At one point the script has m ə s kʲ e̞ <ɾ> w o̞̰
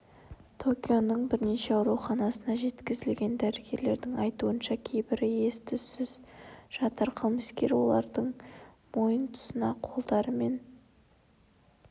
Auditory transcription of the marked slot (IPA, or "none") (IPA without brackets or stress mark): ɾ